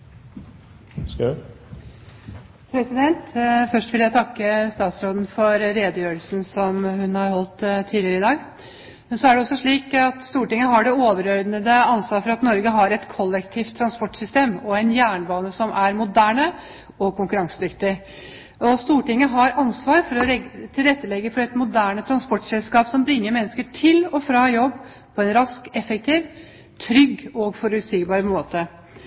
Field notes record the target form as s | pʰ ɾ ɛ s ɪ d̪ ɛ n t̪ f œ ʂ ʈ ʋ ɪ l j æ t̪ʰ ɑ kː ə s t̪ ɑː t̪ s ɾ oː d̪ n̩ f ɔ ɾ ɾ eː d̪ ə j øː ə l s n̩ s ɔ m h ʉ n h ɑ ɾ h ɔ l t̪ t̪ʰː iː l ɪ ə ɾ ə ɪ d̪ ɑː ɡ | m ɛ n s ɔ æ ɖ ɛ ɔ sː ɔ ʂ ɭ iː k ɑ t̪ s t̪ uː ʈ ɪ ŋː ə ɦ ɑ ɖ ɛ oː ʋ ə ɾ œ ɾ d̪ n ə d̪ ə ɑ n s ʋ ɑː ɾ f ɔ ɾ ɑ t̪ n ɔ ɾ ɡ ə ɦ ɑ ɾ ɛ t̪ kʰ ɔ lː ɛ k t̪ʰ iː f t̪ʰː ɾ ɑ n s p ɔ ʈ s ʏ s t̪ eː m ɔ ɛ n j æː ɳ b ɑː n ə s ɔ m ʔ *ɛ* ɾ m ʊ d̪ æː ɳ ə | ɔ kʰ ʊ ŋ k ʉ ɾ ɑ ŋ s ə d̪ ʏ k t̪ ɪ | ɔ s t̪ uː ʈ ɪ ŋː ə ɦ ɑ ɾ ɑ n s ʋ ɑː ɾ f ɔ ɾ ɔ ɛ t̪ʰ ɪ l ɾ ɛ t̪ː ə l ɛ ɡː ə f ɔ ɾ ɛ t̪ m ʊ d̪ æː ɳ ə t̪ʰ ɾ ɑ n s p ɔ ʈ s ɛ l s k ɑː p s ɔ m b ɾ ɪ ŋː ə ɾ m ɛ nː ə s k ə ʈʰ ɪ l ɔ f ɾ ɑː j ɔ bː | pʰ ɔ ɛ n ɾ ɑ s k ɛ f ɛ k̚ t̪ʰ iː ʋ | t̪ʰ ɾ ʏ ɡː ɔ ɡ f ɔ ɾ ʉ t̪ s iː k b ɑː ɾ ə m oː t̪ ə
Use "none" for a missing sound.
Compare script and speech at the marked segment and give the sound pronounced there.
æ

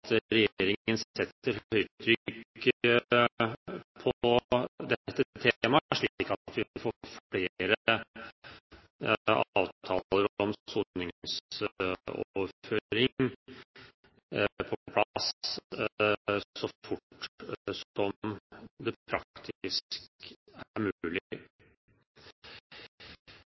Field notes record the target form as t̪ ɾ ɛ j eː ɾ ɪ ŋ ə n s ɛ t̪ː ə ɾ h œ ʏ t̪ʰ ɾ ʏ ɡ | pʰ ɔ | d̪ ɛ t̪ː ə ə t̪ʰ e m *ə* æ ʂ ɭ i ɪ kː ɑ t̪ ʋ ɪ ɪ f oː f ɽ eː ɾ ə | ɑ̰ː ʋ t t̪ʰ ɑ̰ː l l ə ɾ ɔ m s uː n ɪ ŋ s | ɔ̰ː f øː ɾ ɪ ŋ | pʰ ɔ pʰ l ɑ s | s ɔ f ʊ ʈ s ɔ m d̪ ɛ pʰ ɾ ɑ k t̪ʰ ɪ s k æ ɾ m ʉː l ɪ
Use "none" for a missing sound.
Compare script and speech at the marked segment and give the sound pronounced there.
ɑ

